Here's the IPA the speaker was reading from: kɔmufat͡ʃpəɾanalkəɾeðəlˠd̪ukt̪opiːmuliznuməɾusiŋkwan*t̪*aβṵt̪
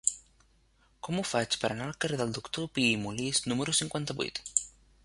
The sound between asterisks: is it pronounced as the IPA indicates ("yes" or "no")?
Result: yes